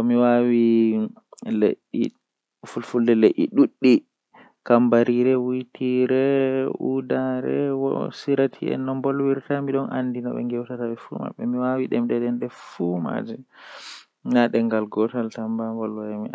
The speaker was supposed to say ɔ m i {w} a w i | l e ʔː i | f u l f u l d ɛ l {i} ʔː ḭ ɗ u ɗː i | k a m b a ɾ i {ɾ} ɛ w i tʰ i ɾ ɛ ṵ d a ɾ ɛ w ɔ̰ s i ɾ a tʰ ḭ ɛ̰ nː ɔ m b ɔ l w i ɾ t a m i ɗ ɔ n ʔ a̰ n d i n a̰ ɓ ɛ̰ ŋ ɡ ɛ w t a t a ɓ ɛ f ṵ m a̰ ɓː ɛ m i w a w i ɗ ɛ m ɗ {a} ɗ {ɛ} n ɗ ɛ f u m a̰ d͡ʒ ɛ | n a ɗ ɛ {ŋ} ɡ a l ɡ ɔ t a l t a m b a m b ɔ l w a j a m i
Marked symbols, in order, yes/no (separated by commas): yes, no, yes, no, yes, yes